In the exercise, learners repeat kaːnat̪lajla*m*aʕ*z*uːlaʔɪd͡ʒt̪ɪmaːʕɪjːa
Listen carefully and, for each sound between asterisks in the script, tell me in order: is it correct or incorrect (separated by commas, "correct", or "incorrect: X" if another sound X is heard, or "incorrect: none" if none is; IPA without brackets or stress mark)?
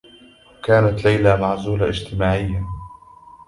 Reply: correct, correct